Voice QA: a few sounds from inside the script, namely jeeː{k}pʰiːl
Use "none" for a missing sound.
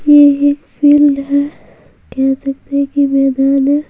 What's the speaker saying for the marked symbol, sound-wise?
k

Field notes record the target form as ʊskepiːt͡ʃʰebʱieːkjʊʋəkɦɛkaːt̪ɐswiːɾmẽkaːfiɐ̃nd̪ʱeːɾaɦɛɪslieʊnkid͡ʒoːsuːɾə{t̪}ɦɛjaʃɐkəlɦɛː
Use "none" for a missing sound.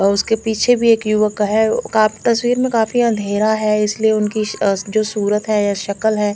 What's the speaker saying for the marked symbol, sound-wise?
t̪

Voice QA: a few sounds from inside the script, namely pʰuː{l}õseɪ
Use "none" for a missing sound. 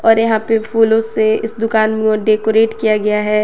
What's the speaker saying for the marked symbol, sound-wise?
l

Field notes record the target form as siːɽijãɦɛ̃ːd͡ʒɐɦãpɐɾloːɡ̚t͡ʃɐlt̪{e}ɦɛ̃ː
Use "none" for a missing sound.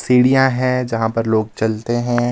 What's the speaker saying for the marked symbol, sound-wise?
e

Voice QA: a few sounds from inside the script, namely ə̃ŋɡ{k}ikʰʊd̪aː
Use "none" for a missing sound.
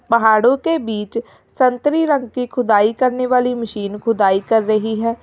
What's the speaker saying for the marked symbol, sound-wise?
k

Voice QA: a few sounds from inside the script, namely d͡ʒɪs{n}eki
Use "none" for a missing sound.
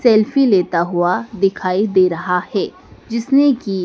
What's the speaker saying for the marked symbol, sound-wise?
n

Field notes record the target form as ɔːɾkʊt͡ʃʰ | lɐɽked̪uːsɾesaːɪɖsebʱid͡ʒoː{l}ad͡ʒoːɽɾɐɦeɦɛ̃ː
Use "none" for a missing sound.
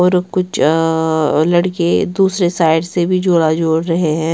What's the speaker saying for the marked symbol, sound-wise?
ɽ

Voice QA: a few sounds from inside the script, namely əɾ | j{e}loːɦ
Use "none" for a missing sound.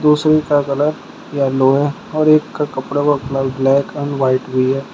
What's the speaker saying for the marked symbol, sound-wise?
a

